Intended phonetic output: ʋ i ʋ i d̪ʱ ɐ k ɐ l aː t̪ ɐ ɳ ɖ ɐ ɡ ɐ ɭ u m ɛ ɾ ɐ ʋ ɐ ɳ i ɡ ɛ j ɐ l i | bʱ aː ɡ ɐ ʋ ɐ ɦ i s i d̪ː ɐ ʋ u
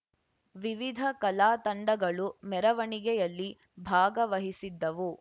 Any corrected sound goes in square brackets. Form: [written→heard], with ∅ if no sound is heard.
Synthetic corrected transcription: ʋ i ʋ i d̪ʱ ɐ k ɐ l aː t̪ ɐ ɳ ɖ ɐ ɡ ɐ ɭ u m ɛ ɾ ɐ ʋ ɐ ɳ i ɡ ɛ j ɐ [l→lː] i | bʱ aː ɡ ɐ ʋ ɐ ɦ i s i d̪ː ɐ ʋ u